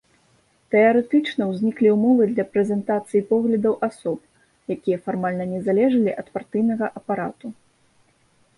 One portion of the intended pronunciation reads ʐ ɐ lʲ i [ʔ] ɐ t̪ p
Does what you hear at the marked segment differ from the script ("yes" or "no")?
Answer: no